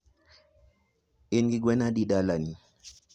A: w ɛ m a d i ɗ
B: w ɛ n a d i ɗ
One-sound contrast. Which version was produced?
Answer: B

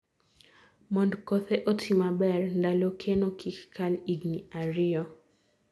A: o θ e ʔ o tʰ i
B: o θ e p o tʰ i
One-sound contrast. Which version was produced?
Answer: A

